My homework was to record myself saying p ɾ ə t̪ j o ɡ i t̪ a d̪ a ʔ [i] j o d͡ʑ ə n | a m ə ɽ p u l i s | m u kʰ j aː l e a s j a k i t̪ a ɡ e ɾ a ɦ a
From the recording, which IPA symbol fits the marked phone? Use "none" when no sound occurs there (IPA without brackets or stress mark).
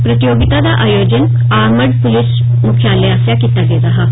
a